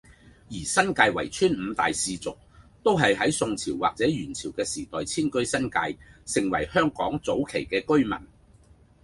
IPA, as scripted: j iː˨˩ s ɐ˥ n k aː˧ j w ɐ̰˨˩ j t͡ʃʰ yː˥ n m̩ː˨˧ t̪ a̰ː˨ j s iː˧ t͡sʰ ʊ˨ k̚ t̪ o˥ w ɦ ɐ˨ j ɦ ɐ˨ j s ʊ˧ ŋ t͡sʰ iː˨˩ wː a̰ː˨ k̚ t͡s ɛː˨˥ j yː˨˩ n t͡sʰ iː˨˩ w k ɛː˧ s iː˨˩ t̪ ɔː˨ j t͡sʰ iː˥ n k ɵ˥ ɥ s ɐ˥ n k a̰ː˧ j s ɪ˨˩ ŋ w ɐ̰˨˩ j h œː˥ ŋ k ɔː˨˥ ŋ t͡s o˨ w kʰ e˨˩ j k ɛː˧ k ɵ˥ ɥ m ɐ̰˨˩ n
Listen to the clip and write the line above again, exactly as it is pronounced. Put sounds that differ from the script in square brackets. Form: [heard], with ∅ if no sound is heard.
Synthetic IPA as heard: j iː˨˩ s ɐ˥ n k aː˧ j w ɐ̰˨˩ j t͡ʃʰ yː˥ n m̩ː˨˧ t̪ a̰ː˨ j s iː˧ [t͡s] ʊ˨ k̚ t̪ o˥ w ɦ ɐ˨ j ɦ [ɐ˨˥] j s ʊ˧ ŋ t͡sʰ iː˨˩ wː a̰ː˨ k̚ t͡s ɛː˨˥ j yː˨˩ n t͡sʰ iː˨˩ w k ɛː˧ s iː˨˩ t̪ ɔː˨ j t͡sʰ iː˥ n k ɵ˥ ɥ s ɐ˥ n k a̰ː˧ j s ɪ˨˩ ŋ w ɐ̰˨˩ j h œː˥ ŋ k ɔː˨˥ ŋ t͡s [o˨˥] w kʰ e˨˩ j k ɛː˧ k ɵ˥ ɥ m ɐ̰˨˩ n

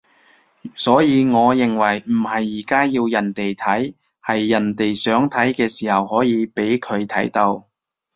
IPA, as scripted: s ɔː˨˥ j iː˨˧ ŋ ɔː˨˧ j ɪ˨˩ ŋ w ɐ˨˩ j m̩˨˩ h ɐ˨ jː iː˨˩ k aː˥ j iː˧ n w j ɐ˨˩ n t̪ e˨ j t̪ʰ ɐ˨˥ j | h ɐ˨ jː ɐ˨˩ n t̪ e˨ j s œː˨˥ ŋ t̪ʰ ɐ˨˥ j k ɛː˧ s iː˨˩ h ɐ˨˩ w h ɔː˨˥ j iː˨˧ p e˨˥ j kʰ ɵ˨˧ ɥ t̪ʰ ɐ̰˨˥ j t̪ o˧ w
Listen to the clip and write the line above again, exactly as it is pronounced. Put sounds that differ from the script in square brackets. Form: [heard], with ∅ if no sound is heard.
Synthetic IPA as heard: s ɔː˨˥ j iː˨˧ ŋ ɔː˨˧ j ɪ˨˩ ŋ w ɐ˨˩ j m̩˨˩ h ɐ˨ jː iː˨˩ k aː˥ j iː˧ [∅] w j ɐ˨˩ n t̪ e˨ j t̪ʰ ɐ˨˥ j | h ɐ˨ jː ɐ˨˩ n t̪ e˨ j s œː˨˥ ŋ t̪ʰ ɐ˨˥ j k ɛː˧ s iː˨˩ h ɐ˨˩ w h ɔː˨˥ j iː˨˧ p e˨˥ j kʰ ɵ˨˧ ɥ t̪ʰ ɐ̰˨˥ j t̪ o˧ w

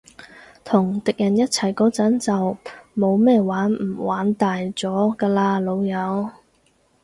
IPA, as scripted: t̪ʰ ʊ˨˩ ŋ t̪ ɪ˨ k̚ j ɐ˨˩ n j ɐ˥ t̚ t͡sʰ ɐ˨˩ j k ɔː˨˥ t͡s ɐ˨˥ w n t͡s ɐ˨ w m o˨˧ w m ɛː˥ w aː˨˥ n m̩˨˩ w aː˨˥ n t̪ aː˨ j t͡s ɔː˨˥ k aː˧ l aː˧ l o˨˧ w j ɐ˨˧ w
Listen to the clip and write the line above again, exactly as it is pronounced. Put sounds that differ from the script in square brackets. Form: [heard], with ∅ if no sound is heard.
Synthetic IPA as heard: t̪ʰ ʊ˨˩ ŋ t̪ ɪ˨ k̚ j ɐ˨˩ n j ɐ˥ t̚ t͡sʰ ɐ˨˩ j k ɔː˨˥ t͡s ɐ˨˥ [∅] n t͡s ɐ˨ w m o˨˧ w m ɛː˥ w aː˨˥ n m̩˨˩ w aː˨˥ n t̪ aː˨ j t͡s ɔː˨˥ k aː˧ l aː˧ l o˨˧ w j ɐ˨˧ w

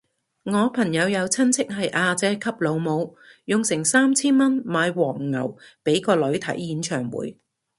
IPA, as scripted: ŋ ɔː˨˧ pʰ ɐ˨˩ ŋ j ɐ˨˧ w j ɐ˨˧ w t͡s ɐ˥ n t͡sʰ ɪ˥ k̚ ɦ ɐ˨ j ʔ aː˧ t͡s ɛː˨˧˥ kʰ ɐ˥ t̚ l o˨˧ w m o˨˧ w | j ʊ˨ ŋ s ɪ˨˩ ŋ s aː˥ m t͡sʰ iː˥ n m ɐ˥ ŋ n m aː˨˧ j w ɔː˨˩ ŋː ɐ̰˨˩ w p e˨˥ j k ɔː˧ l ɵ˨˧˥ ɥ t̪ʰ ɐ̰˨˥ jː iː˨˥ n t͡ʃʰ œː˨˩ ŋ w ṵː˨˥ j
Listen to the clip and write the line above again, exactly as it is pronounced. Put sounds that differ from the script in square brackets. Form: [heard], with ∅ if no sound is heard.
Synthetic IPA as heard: ŋ ɔː˨˧ pʰ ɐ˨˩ ŋ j ɐ˨˧ w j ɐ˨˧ w [t͡sʰ] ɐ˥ n t͡sʰ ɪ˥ k̚ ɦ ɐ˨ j ʔ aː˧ t͡s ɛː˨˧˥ kʰ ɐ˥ [p̚] l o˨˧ w m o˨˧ w | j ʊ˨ ŋ s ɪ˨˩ ŋ s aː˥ m t͡sʰ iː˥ n m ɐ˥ [∅] n m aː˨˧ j w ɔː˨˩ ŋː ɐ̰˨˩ w p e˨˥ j k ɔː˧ l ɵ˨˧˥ ɥ t̪ʰ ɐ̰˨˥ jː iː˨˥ n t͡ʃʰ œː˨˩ ŋ w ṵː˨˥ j

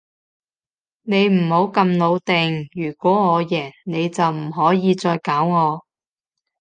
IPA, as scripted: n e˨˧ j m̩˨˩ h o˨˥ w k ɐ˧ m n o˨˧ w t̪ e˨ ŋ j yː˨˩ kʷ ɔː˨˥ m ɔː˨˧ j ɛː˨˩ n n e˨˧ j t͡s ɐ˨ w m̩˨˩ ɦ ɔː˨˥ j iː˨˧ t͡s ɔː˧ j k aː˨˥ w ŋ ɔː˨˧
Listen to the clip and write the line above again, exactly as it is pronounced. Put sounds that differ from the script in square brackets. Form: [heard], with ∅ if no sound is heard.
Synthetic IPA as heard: n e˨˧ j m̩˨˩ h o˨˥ w k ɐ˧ m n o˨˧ w t̪ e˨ ŋ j yː˨˩ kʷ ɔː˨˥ [ŋ] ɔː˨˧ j ɛː˨˩ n n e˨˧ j t͡s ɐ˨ w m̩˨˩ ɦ ɔː˨˥ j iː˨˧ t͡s ɔː˧ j k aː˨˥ w ŋ ɔː˨˧

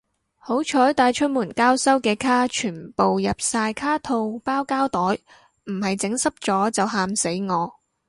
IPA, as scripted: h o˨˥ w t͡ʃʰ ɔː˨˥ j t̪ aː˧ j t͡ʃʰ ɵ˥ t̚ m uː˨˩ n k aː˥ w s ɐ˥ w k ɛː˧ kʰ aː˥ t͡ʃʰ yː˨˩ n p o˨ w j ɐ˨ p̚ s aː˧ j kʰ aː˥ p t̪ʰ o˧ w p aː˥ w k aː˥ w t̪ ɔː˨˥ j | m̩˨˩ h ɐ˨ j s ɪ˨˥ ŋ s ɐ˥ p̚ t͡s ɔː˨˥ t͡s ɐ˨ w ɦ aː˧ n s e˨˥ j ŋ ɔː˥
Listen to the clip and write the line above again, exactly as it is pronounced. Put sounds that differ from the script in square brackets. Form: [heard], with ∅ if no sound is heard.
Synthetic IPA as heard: h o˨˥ w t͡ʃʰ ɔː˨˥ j t̪ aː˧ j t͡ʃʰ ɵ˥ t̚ m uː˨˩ n k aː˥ w s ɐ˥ w k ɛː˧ kʰ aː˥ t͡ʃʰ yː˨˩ n p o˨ w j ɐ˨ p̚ s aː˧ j kʰ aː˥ [∅] t̪ʰ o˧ w p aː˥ w k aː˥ w t̪ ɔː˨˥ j | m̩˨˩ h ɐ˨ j [t͡s] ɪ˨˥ ŋ s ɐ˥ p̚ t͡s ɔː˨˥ t͡s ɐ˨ w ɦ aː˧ [m] s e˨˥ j ŋ [ɔː˨˧]

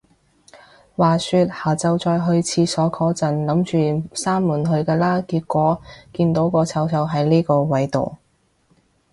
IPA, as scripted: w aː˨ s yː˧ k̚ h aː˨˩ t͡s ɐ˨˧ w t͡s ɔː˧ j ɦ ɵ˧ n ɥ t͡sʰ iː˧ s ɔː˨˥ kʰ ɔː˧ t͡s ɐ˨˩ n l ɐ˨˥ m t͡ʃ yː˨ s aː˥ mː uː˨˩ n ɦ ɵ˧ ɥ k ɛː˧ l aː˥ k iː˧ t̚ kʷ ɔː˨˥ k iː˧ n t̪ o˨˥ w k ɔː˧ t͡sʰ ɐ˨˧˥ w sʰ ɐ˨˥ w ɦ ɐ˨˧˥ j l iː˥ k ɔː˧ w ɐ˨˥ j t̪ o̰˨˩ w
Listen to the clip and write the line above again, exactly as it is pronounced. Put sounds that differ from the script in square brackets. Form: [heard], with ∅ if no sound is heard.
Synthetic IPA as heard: w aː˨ s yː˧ [t̚] h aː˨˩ t͡s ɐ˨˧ w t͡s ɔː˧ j ɦ ɵ˧ [∅] ɥ t͡sʰ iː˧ s ɔː˨˥ kʰ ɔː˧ t͡s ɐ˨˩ n l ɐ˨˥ m t͡ʃ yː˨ s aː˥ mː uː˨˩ n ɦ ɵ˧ ɥ k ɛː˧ l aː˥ k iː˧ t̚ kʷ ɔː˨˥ k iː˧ n t̪ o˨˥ w k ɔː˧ t͡sʰ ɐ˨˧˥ w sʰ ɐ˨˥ w ɦ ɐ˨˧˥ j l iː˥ k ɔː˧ w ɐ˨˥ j t̪ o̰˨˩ w

